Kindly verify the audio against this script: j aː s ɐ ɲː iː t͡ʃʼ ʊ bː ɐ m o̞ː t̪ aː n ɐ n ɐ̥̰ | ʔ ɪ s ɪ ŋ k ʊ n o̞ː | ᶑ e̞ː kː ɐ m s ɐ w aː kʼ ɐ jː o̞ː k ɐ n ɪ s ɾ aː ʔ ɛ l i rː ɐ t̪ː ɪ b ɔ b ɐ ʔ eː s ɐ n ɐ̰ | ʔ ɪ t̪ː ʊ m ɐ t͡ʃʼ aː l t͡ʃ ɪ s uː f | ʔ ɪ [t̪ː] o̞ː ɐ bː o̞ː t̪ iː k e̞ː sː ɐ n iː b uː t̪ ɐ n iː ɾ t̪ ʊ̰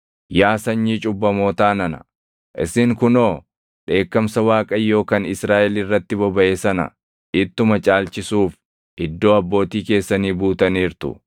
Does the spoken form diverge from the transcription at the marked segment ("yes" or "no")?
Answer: yes